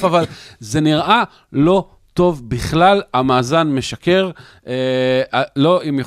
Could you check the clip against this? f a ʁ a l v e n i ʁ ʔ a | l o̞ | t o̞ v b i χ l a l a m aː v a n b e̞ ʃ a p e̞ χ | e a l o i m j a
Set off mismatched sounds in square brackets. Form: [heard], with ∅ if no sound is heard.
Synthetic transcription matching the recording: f a [v] a l [z] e n i ʁ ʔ a | l o̞ | t o̞ v b i χ l a l a m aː [z] a n [m] e̞ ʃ a [k] e̞ [ʁ] | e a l o i m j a